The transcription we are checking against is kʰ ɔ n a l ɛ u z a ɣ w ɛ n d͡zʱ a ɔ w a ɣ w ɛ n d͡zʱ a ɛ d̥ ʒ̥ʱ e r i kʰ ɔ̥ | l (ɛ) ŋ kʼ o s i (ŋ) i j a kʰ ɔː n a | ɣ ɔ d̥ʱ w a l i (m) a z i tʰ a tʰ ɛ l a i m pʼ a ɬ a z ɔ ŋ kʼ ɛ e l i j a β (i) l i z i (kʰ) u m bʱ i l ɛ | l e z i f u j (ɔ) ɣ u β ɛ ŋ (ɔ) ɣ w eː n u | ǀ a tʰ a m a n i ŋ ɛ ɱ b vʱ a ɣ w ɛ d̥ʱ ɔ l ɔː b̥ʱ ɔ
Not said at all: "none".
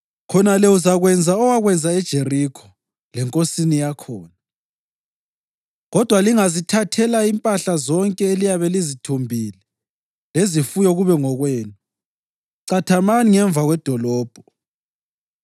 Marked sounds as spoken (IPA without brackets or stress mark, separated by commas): ɛ, n, ŋ, ɛ, tʰ, ɔ, ɔ